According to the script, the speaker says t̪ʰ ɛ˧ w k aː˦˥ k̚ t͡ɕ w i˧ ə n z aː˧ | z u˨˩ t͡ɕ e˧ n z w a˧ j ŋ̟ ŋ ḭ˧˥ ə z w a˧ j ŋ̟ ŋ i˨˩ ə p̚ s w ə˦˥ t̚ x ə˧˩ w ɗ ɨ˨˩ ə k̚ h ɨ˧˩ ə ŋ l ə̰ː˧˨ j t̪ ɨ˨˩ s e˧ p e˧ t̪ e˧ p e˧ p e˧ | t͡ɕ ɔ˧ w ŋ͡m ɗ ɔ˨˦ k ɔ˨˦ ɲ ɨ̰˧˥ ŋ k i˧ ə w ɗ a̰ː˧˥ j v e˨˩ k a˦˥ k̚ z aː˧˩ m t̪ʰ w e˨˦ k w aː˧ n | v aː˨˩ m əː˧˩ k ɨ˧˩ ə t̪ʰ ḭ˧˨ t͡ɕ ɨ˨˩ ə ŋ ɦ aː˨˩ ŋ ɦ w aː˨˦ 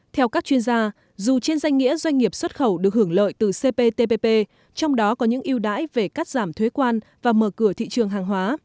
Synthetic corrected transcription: t̪ʰ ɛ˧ w k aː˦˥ k̚ t͡ɕ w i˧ ə n z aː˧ | z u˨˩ t͡ɕ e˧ n z w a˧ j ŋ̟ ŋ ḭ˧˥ ə z w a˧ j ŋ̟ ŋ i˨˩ ə p̚ s w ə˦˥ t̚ x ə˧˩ w ɗ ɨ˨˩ ə k̚ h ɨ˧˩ ə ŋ l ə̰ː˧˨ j t̪ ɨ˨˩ s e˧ p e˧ t̪ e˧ p e˧ p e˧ | t͡ɕ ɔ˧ w ŋ͡m ɗ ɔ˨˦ k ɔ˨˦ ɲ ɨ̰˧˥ ŋ ʔ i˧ ə w ɗ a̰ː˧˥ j v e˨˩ k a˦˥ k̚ z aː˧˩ m t̪ʰ w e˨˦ k w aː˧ n | v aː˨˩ m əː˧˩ k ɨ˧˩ ə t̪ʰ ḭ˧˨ t͡ɕ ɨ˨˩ ə ŋ ɦ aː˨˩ ŋ ɦ w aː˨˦

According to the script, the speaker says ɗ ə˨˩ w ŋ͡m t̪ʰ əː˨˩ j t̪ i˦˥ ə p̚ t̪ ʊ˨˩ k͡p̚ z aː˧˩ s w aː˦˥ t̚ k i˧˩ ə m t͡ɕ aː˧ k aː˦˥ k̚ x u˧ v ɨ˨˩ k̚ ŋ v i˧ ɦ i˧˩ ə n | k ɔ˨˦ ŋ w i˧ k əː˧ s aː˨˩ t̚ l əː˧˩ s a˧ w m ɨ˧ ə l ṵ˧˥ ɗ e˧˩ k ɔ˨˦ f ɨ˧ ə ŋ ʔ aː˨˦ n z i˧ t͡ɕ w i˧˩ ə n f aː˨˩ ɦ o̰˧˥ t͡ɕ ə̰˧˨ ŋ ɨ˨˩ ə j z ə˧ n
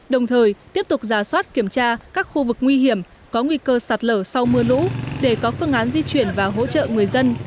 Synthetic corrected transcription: ɗ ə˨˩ w ŋ͡m t̪ʰ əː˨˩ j t̪ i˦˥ ə p̚ t̪ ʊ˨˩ k͡p̚ z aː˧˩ s w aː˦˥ t̚ k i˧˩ ə m t͡ɕ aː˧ k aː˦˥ k̚ x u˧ v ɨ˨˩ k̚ ŋ w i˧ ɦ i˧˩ ə m | k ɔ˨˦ ŋ w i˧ k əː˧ s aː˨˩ t̚ l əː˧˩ s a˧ w m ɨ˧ ə l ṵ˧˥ ɗ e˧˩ k ɔ˨˦ f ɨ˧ ə ŋ ʔ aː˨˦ n z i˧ t͡ɕ w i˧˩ ə n v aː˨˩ ɦ o̰˧˥ t͡ɕ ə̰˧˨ ŋ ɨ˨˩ ə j z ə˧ n

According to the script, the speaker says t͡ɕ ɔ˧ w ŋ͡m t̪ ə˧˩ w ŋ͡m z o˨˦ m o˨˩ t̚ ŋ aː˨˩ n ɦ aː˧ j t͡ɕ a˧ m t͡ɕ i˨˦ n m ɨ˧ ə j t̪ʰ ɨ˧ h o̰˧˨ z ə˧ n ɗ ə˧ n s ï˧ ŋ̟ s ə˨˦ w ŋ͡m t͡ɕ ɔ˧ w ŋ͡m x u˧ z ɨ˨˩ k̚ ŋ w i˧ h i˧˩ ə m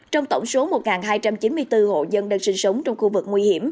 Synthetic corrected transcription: t͡ɕ ɔ˧ w ŋ͡m t̪ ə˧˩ w ŋ͡m s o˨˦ m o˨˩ t̚ ŋ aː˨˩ n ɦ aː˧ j t͡ɕ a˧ m t͡ɕ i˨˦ n m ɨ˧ ə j t̪ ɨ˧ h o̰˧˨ z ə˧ n ɗ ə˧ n s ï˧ ŋ̟ s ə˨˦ w ŋ͡m t͡ɕ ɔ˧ w ŋ͡m x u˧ v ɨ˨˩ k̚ ŋ w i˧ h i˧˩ ə m

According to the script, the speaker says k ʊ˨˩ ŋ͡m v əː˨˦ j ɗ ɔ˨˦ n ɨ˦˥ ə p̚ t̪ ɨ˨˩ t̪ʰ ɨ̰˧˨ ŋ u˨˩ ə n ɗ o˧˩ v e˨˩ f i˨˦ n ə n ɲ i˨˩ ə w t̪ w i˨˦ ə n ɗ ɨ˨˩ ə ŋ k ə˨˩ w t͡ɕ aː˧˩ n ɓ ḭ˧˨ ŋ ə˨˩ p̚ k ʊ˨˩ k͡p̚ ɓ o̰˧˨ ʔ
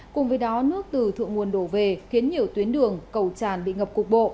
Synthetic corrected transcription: k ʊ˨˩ ŋ͡m v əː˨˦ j ɗ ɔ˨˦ n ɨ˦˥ ə k̚ t̪ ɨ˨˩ t̪ʰ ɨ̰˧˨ ŋ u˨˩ ə n ɗ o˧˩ v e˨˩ x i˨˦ ə n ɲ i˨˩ ə w t̪ w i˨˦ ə n ɗ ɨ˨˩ ə ŋ k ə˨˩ w t͡ɕ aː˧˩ n ɓ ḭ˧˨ ŋ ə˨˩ p̚ k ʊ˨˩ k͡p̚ ɓ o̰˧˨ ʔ

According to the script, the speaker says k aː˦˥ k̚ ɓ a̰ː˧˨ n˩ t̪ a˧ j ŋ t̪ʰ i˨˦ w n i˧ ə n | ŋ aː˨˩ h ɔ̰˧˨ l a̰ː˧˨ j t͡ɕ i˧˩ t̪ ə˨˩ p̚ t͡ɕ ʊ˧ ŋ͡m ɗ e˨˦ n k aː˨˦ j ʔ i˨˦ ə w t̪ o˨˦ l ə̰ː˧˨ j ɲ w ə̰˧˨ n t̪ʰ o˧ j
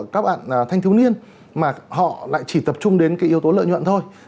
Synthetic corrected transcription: k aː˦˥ k̚ ɓ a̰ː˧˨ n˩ t̪ʰ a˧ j ŋ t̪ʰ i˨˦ w n i˧ ə n | m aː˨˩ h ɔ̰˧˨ l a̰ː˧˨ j t͡ɕ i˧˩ t̪ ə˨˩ p̚ t͡ɕ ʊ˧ ŋ͡m ɗ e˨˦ n k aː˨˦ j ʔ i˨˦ ə w t̪ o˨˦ l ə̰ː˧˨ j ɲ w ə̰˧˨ n t̪ʰ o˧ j

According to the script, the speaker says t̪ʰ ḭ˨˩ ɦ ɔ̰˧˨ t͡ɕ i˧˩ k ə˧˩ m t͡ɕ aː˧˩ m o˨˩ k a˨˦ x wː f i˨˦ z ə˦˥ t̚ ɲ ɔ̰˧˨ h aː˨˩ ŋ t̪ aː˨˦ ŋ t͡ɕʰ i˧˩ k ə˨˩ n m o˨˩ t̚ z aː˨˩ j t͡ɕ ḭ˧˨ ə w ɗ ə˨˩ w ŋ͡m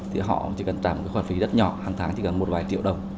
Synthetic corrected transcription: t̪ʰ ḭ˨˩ ɦ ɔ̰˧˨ t͡ɕ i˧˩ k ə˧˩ n t͡ɕ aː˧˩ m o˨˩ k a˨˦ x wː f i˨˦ z ə˦˥ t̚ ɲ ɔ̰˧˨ h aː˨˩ ŋ t̪ʰ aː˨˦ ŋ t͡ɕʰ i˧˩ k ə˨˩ n m o˨˩ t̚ v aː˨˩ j t͡ɕ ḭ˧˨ ə w ɗ ə˨˩ w ŋ͡m

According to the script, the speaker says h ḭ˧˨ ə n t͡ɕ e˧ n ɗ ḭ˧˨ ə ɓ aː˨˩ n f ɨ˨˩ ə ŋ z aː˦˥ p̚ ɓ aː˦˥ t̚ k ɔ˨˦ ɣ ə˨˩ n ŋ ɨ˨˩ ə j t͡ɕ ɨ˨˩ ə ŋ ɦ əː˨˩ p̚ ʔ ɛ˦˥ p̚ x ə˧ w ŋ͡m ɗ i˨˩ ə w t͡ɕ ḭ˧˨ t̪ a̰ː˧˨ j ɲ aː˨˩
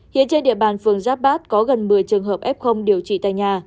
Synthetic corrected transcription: h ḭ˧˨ ə n t͡ɕ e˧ n ɗ ḭ˧˨ ə ɓ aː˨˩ n f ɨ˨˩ ə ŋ z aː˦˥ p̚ ɓ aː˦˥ t̚ k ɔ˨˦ ɣ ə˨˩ n m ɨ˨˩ ə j t͡ɕ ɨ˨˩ ə ŋ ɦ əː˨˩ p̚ ʔ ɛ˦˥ p̚ x ə˧ w ŋ͡m ɗ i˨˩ ə w t͡ɕ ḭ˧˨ t̪ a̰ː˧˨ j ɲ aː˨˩

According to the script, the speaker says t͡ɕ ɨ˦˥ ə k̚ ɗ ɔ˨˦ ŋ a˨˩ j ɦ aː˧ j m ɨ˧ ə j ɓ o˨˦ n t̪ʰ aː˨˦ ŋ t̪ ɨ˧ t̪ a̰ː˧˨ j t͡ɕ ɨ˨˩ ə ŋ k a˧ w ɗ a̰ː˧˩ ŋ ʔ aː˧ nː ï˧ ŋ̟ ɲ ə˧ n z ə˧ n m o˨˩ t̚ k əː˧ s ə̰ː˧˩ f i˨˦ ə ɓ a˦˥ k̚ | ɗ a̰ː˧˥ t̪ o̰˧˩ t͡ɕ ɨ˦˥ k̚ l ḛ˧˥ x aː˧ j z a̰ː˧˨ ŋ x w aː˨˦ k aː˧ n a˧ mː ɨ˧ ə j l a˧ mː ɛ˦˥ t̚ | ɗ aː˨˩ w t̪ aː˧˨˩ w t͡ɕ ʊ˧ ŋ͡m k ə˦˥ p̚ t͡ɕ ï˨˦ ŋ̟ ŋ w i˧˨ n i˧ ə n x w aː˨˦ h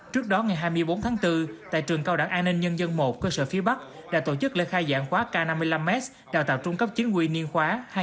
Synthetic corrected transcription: t͡ɕ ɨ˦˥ ə k̚ ɗ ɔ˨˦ ŋ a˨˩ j ɦ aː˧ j m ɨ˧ ə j ɓ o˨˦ n t̪ʰ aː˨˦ ŋ t̪ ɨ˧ t̪ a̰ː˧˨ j t͡ɕ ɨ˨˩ ə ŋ k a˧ w ɗ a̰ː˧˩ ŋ ʔ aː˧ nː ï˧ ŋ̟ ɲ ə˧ n z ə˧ n m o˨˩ t̚ k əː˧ s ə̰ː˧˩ f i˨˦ ə ɓ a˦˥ k̚ | ɗ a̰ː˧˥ t̪ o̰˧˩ t͡ɕ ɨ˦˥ k̚ l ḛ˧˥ x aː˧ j z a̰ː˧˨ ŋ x w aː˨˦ k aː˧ n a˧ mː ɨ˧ ə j l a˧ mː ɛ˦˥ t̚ | ɗ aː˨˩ w t̪ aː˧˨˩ w t͡ɕ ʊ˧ ŋ͡m k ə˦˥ p̚ t͡ɕ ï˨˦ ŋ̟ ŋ w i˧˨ n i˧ ə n x w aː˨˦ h

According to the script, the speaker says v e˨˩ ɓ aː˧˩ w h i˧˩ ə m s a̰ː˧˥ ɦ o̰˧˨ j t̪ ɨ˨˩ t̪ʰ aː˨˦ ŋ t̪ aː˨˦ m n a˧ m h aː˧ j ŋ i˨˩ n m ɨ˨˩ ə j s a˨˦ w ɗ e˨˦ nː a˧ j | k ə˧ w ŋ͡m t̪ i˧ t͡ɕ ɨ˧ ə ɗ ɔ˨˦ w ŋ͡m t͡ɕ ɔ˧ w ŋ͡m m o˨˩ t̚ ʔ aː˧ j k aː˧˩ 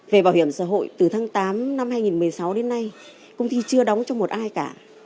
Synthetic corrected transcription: v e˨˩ ɓ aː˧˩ w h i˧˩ ə m s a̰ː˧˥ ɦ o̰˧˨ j t̪ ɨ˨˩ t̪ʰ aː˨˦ ŋ t̪ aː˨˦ m n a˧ m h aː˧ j ŋ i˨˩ n m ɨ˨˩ ə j s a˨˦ w ɗ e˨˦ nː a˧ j | k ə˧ w ŋ͡m t̪ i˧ t͡ɕ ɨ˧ ə ɗ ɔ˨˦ w ŋ͡m t͡ɕ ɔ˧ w ŋ͡m m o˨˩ t̚ ʔ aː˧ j k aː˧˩

